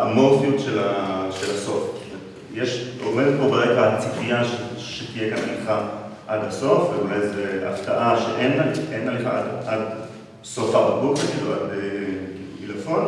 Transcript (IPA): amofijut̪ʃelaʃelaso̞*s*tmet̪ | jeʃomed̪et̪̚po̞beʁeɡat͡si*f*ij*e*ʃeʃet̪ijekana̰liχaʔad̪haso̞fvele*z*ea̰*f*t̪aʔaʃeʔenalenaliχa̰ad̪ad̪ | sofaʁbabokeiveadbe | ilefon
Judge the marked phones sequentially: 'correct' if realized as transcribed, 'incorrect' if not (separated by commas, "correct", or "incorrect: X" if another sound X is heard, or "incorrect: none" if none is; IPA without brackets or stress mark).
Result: incorrect: f, correct, incorrect: a, correct, correct